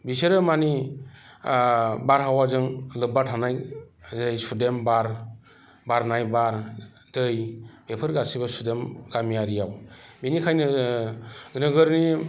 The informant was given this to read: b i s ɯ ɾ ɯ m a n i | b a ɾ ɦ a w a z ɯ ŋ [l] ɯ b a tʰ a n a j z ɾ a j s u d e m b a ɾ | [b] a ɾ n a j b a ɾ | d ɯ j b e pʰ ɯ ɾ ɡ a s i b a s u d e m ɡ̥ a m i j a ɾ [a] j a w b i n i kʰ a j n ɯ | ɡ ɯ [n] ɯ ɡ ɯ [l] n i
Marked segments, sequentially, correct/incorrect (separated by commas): correct, correct, incorrect, correct, incorrect